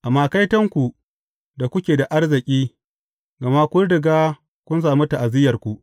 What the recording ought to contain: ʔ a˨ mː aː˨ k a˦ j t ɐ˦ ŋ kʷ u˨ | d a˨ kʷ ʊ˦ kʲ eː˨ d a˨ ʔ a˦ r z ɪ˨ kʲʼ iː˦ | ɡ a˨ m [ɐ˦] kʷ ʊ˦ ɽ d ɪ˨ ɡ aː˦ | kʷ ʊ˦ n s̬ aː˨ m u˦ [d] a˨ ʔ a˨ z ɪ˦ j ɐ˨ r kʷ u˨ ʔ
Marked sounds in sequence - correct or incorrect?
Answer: incorrect: a˦, incorrect: t

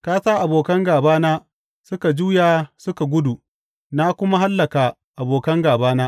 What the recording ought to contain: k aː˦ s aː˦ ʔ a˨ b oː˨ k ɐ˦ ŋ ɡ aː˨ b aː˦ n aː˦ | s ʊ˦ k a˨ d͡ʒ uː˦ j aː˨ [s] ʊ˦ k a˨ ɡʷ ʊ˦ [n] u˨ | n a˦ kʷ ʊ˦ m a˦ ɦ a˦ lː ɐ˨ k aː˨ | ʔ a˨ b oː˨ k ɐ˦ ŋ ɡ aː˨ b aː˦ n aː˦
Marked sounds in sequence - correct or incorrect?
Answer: correct, incorrect: d

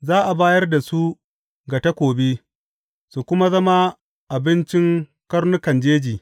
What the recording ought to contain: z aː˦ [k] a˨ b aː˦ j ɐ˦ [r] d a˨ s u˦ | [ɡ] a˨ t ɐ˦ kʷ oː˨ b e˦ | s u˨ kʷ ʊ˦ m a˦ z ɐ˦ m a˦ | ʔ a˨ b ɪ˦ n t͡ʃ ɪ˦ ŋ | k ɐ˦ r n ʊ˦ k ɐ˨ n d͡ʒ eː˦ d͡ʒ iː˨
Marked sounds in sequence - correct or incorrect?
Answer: incorrect: ʔ, correct, correct

